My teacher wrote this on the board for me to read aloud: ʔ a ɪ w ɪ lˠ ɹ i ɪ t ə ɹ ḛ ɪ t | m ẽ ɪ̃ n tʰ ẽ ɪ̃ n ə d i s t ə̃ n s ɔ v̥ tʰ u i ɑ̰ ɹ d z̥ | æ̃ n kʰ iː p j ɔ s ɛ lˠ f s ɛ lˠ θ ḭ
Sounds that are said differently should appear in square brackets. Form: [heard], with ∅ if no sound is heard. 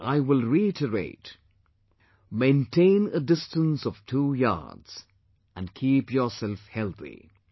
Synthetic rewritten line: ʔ a ɪ w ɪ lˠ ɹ i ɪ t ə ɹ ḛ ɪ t | m ẽ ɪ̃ n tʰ ẽ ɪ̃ n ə d [ɪ] s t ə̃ n s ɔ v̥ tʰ u [j] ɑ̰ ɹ d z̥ | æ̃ n kʰ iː p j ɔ s ɛ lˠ f [h] ɛ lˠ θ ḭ